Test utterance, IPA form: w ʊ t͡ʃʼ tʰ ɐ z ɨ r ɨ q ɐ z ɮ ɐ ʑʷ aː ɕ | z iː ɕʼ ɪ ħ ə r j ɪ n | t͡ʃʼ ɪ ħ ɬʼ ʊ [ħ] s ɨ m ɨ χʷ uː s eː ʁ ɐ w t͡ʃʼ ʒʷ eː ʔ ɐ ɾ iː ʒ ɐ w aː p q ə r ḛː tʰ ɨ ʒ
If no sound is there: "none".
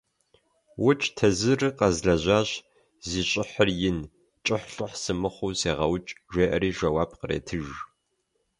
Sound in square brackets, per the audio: ħ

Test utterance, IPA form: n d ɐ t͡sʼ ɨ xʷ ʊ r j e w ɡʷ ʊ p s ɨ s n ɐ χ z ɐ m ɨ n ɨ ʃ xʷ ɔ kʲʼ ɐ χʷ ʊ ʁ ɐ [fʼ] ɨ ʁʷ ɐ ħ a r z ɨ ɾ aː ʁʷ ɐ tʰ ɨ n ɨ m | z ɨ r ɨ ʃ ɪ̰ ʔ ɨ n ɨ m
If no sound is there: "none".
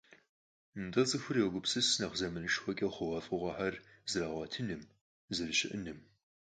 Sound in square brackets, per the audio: fʼ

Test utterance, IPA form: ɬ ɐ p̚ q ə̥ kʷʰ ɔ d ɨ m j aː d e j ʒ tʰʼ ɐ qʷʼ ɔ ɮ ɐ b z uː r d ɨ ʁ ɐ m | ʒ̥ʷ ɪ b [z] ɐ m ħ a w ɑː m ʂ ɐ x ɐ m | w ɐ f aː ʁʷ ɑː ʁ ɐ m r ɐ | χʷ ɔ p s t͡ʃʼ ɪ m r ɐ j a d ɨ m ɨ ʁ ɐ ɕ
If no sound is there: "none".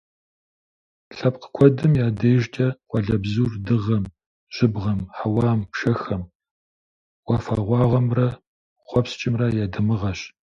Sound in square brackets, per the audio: ʁ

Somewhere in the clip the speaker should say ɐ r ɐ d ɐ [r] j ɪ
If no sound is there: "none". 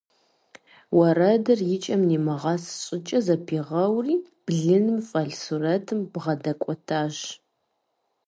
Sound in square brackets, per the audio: r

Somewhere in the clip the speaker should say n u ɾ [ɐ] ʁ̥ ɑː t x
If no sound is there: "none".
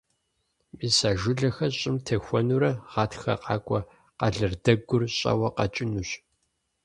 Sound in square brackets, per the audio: ɐ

